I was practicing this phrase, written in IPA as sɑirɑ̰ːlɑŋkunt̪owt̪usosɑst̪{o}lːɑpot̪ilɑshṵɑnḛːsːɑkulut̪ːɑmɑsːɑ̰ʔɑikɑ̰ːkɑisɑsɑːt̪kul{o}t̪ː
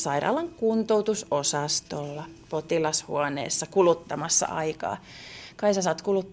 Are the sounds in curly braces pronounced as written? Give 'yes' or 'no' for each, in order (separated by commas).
yes, no